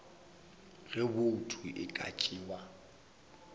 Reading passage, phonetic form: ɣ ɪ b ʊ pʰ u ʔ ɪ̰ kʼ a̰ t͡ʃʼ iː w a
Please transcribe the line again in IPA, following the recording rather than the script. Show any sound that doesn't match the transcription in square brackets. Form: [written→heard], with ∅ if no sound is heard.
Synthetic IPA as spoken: ɣ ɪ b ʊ [pʰ→tʰ] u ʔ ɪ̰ kʼ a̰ t͡ʃʼ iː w a